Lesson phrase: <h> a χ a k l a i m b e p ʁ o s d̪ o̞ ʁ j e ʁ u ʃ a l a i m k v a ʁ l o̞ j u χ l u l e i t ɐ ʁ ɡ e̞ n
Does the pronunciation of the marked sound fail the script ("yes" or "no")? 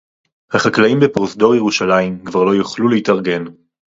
no